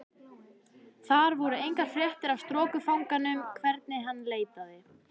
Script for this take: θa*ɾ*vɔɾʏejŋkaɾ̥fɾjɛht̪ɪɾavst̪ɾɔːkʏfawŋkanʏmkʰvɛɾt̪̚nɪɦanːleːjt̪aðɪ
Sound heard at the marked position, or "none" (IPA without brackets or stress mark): ɾ